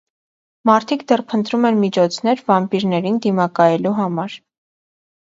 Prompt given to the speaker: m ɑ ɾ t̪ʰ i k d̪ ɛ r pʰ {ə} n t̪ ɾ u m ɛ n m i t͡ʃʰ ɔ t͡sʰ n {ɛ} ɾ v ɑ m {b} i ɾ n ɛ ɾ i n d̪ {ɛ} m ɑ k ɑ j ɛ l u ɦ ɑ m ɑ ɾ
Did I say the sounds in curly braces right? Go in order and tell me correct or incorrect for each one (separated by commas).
correct, correct, incorrect, incorrect